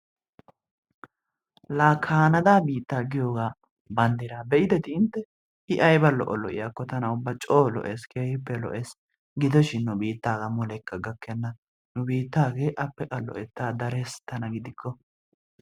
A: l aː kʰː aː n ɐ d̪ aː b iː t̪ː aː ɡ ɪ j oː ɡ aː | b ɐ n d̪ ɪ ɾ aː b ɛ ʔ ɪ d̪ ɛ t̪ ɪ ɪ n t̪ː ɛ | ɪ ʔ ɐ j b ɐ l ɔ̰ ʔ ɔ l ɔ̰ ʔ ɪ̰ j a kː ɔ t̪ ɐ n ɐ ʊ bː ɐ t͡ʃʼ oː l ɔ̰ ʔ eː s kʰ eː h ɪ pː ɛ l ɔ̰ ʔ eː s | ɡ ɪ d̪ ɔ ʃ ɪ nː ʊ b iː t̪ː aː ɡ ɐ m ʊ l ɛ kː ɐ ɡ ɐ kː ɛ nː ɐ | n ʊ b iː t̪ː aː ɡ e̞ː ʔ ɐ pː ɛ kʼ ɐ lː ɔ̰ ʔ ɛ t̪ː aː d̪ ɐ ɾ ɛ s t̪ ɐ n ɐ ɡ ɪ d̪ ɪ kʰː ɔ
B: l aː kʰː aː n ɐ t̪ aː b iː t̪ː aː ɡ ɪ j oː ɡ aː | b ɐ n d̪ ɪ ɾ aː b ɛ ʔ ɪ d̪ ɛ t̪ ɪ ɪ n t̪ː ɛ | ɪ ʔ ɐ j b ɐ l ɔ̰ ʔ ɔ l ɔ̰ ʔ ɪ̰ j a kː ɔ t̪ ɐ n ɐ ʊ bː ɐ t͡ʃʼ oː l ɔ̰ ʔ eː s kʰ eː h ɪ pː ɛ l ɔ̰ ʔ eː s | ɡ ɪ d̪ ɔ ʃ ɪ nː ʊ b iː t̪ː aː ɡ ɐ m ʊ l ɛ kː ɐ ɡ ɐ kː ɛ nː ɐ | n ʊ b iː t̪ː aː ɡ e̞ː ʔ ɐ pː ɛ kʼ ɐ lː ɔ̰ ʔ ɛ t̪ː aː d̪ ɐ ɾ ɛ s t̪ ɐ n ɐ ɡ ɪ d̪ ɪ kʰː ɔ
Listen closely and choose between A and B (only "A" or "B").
A